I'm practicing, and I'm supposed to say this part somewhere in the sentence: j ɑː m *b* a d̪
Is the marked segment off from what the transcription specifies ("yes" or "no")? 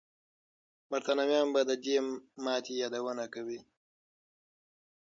no